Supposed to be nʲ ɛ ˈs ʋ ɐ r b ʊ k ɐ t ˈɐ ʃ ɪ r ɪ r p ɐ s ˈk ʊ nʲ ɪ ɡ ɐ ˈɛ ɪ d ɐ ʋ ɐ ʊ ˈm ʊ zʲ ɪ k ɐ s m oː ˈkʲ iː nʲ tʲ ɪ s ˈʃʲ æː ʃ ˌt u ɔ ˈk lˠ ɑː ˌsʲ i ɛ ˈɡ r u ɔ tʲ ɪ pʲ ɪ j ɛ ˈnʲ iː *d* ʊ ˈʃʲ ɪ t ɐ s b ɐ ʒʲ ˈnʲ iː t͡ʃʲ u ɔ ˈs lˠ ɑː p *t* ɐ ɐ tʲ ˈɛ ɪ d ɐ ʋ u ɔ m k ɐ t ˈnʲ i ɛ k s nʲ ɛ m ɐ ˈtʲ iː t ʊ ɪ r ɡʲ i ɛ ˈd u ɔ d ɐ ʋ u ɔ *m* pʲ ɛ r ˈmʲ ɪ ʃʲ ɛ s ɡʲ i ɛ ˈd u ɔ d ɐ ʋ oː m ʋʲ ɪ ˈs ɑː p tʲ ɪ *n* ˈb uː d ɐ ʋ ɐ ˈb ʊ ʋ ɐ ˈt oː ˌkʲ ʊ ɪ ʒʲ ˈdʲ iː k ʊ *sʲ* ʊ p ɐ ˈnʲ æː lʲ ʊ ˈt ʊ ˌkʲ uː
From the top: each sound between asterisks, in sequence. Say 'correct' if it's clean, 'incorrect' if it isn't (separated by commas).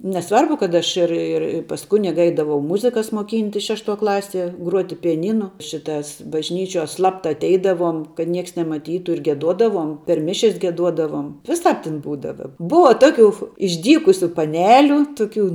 incorrect, correct, correct, correct, correct